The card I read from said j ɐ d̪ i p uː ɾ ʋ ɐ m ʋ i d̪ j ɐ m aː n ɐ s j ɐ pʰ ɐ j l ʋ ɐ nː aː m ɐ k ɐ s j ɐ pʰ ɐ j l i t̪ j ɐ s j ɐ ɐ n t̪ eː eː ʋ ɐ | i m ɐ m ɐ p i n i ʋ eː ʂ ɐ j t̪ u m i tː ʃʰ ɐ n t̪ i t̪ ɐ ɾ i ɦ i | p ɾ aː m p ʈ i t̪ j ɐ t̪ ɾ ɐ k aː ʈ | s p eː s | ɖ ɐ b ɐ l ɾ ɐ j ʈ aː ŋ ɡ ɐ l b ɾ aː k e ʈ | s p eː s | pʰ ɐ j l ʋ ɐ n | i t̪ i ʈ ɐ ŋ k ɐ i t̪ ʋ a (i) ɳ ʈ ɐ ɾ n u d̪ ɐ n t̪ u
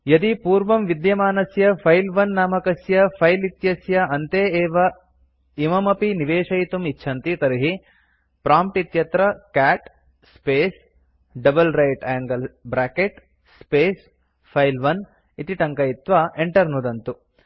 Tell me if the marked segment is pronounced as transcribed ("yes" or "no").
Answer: no